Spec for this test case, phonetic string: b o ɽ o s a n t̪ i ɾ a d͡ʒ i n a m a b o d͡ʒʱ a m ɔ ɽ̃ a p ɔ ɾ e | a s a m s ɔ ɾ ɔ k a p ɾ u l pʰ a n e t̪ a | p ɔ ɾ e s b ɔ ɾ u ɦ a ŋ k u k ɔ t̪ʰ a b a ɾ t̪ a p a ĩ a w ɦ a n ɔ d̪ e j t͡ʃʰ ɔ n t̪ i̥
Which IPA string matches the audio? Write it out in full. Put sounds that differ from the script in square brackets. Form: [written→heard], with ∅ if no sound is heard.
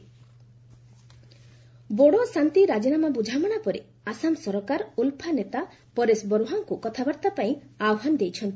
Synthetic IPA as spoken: b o ɽ o s a n t̪ i ɾ a d͡ʒ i n a m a b [o→u] d͡ʒʱ a m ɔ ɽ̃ a p ɔ ɾ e | a s a m s ɔ ɾ ɔ k a [p→∅] ɾ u l pʰ a n e t̪ a | p ɔ ɾ e s b ɔ ɾ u ɦ a ŋ k u k ɔ t̪ʰ a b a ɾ t̪ a p a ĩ a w ɦ a n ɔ d̪ e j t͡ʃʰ ɔ n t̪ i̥